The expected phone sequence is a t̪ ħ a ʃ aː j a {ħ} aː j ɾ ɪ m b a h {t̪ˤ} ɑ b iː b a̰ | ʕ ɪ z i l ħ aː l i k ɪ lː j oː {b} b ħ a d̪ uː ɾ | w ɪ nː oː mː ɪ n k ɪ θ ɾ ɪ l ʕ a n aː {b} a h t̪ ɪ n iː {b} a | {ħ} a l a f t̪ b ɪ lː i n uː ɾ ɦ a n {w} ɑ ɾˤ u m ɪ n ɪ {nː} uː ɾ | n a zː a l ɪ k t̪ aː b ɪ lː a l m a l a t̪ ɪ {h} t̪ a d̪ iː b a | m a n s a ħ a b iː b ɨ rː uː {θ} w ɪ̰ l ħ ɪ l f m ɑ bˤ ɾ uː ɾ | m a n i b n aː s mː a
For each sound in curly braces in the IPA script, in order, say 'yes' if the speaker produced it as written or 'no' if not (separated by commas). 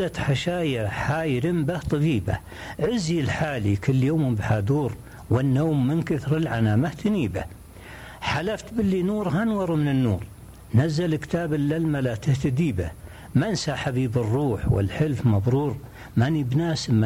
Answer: yes, yes, no, no, yes, yes, yes, yes, yes, no